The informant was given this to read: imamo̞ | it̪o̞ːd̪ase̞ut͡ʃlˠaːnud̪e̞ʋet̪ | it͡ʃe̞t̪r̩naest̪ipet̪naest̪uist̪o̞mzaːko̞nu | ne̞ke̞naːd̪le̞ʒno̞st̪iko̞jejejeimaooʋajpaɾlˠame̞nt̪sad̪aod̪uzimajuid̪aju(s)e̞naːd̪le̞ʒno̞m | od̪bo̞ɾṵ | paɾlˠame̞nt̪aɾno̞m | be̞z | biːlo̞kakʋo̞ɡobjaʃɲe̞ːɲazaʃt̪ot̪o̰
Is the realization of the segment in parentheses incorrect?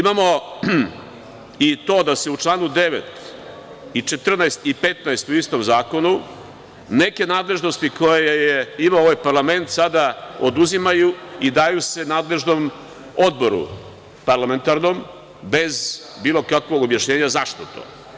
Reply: no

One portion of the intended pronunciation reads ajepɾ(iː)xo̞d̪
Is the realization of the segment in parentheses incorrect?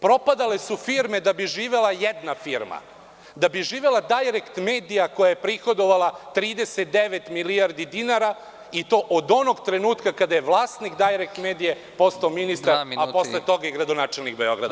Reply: yes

